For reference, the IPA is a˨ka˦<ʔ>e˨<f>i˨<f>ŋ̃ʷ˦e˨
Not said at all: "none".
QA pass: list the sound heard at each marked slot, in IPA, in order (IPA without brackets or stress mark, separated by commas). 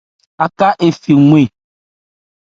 ʔ, f, none